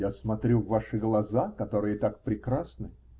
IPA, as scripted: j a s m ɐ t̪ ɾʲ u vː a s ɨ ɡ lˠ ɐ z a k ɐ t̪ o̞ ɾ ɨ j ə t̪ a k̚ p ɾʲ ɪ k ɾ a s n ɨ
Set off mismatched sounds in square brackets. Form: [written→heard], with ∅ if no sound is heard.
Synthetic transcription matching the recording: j a s m ɐ t̪ ɾʲ u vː a [s→ʂ] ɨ ɡ lˠ ɐ z a k ɐ t̪ o̞ ɾ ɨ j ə t̪ a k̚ p ɾʲ ɪ k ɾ a s n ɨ